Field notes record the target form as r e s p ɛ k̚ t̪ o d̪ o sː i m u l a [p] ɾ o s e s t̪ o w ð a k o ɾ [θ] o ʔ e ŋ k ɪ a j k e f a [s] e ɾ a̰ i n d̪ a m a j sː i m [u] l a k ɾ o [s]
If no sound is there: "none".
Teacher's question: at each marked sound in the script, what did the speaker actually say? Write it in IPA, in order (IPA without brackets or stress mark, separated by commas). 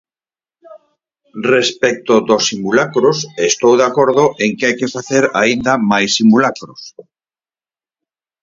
k, ð, θ, u, s